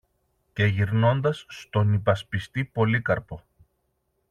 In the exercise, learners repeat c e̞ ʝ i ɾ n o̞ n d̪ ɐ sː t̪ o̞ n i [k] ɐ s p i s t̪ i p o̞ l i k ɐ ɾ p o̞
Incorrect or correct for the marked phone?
incorrect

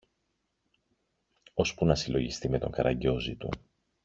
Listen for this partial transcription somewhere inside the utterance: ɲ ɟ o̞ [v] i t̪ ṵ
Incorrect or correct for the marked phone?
incorrect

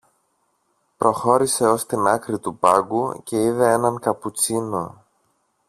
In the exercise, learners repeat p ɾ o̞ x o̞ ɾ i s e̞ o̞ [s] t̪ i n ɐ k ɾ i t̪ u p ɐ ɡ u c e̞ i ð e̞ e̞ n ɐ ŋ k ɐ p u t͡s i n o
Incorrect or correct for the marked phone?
correct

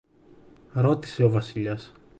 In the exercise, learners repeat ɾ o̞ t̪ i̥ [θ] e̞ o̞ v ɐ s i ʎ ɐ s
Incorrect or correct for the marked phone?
incorrect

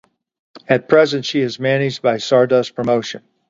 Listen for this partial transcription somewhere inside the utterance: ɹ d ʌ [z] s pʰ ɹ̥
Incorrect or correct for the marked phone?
incorrect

